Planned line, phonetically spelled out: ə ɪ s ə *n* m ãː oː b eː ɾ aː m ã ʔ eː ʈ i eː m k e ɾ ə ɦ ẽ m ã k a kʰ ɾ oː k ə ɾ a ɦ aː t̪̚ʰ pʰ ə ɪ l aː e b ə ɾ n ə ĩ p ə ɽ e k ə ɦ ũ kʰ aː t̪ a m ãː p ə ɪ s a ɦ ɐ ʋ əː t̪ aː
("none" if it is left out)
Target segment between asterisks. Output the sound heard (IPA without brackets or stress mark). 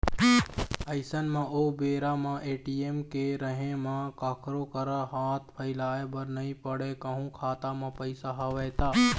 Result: n